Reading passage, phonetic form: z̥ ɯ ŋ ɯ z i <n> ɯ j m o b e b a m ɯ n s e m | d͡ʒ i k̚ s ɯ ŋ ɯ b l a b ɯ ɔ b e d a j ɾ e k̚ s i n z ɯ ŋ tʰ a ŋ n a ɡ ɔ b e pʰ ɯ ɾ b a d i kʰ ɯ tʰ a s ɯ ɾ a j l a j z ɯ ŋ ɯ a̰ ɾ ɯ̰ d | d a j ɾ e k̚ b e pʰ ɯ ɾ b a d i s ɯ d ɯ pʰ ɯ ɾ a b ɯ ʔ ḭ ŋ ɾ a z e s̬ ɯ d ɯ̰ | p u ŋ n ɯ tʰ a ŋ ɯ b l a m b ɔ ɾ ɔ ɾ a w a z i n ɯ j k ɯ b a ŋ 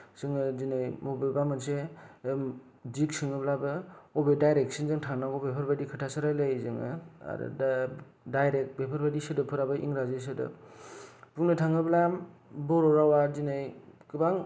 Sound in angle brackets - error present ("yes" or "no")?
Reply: no